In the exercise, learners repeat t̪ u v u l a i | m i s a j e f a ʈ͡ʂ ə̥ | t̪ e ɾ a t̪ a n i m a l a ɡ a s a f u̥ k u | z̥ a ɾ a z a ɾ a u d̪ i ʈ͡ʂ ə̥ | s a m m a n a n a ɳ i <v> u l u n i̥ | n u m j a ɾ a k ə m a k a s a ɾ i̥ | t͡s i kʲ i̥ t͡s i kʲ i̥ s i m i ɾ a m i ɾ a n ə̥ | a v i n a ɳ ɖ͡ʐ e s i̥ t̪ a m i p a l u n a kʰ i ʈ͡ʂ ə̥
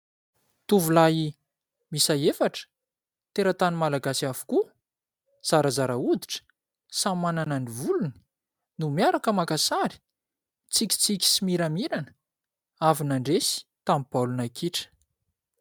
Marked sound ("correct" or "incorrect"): correct